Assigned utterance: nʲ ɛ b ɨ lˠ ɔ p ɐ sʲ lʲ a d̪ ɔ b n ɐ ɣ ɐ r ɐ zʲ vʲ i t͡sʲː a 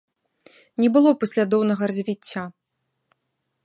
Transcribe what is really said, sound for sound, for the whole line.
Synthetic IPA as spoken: nʲ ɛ b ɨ lˠ ɔ p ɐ sʲ lʲ a d̪ ɔ w n ɐ ɣ ɐ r ɐ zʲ vʲ i t͡sʲː a